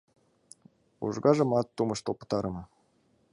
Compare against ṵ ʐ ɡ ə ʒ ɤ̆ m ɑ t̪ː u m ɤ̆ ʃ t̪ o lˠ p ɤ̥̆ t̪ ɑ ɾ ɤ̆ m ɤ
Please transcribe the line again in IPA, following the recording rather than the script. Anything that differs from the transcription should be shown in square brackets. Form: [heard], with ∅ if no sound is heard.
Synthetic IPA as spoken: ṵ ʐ ɡ [ɑ] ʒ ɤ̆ m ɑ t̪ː u m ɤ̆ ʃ t̪ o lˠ p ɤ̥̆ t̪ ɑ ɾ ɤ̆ m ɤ